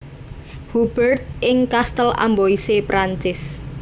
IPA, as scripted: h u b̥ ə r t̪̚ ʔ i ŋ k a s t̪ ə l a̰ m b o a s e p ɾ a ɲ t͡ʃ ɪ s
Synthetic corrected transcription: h u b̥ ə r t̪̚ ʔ ɪ ŋ k a s t̪ ə l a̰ m b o i s e p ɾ a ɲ t͡ʃ ɪ s